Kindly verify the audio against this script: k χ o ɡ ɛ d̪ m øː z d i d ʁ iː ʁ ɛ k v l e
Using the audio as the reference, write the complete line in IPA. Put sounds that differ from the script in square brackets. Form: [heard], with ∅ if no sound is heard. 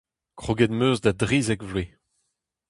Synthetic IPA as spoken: k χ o ɡ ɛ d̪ m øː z d [a] d ʁ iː [z] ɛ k v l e